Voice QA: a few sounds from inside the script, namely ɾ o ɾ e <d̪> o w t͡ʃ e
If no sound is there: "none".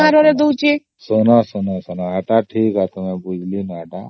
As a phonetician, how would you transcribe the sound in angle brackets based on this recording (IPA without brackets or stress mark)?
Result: d̪